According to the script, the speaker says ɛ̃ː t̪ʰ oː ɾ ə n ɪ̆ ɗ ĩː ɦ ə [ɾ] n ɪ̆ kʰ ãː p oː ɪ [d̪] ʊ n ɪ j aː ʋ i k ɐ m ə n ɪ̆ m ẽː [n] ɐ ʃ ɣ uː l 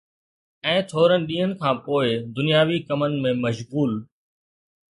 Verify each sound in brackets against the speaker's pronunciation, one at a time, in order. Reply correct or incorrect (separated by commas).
incorrect, correct, incorrect